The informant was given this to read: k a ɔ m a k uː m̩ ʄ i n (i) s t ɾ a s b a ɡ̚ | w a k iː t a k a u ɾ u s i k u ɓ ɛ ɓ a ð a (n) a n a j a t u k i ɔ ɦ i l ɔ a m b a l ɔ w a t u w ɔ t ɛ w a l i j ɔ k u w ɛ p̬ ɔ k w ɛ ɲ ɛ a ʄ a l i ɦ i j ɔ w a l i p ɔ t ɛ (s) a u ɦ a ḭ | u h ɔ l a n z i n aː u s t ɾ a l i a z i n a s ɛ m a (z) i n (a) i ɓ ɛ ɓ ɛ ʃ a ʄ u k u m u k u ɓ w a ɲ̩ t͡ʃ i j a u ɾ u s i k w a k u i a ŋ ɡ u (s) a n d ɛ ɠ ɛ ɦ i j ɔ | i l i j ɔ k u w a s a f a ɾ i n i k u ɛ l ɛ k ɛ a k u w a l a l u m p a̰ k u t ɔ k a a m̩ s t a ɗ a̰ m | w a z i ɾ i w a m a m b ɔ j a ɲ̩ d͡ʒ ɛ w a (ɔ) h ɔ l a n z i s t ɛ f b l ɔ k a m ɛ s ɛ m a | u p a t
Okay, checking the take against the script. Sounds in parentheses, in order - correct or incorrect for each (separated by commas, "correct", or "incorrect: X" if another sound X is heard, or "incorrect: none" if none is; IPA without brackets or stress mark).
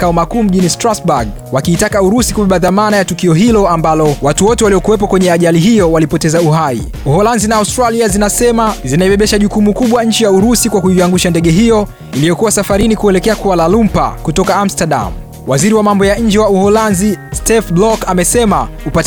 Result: correct, incorrect: m, incorrect: z, correct, correct, incorrect: ʃ, incorrect: u